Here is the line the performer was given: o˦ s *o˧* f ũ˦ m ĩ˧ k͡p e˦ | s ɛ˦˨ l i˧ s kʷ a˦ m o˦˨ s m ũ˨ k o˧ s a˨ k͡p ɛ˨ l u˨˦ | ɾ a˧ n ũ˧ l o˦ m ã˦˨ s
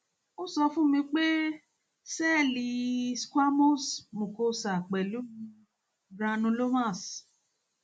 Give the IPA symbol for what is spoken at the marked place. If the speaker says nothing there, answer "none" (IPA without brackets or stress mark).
ɔ˧